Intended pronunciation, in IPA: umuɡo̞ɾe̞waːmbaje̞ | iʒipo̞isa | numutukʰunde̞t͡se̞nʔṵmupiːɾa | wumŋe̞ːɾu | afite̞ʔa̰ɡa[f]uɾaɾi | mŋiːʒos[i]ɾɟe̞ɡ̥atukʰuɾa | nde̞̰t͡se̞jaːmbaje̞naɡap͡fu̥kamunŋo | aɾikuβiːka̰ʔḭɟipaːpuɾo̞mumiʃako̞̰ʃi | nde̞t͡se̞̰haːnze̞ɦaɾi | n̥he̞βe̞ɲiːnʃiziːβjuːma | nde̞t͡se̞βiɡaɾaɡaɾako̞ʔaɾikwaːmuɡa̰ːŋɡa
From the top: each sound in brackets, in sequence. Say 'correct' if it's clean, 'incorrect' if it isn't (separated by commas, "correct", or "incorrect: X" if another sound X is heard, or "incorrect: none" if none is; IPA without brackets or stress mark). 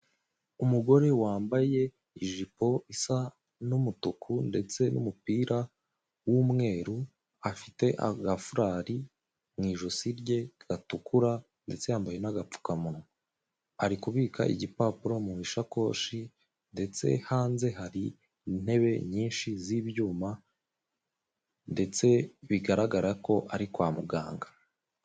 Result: correct, correct